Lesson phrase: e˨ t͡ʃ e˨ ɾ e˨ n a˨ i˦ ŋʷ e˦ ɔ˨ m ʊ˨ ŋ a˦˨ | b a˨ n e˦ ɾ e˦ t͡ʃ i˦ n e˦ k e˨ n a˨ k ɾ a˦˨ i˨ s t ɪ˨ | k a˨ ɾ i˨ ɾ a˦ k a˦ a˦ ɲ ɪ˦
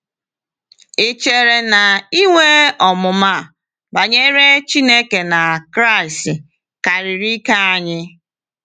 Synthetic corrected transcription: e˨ t͡ʃ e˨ ɾ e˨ n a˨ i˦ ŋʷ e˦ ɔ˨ m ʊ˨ m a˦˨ | b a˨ ɲ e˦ ɾ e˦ t͡ʃ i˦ n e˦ k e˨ n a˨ k ɾ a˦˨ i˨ s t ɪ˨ | k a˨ ɾ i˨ ɾ i˦ k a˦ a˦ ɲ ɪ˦